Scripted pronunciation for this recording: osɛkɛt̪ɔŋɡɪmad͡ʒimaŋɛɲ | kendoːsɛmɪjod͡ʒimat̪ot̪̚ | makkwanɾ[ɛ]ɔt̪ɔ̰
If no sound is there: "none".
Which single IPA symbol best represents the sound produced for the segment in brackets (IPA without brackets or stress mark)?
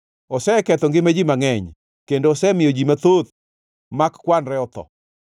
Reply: ɛ